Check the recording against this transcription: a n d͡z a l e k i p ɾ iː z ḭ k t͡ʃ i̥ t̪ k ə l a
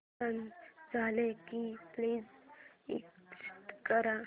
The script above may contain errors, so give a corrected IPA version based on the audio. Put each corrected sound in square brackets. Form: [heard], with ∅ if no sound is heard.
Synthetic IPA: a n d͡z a l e k i p [l] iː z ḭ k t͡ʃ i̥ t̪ k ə [ɾ] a